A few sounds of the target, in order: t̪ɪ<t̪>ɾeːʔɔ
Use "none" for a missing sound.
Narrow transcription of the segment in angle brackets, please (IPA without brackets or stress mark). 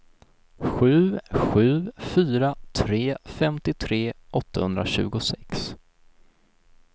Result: t̪ʰ